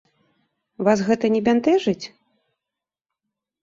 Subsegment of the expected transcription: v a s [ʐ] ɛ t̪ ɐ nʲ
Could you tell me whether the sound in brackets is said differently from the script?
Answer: yes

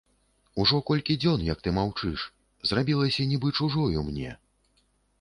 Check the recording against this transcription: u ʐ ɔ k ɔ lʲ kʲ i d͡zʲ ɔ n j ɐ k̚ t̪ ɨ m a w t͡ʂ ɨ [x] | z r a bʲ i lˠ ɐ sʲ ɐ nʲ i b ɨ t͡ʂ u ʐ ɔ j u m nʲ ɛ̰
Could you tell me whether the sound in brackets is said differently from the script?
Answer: yes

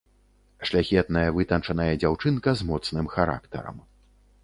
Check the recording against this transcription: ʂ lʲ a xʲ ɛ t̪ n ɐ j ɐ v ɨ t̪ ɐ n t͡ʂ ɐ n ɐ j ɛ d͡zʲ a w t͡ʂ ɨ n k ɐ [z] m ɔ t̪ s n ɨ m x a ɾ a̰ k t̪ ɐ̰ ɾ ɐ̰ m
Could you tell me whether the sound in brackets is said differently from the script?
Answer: no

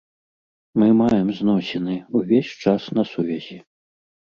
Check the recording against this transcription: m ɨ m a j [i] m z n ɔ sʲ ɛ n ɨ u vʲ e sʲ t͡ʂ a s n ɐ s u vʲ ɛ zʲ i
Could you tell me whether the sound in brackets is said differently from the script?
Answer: yes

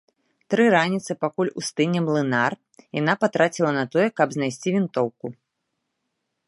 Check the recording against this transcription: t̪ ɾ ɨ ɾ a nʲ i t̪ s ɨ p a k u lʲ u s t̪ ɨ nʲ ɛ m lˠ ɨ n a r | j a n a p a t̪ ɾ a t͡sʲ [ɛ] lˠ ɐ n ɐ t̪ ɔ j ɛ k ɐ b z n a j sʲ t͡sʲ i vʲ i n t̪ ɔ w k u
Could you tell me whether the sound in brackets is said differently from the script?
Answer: yes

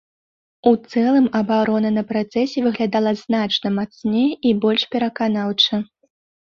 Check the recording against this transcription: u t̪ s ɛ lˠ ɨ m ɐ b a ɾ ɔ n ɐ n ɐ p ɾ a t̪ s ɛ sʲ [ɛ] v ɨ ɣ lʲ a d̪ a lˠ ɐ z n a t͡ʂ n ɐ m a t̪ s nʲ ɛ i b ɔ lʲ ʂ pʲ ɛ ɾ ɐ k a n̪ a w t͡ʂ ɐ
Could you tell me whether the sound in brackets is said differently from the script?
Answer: no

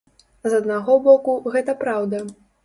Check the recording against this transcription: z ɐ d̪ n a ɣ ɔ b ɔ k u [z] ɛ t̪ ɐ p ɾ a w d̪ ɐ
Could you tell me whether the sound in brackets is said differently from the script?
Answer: yes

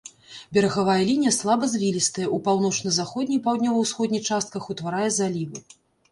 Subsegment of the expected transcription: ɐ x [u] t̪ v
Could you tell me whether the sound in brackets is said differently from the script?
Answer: no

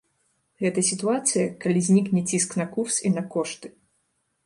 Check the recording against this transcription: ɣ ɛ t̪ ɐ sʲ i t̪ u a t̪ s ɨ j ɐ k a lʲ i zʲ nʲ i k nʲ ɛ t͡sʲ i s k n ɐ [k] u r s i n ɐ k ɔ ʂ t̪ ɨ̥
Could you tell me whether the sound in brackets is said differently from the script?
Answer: no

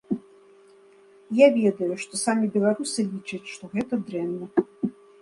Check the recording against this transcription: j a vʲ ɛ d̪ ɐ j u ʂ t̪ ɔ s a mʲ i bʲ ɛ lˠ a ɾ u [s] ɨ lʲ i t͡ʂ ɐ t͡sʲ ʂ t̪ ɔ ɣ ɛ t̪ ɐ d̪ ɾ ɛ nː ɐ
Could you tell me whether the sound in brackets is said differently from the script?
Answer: no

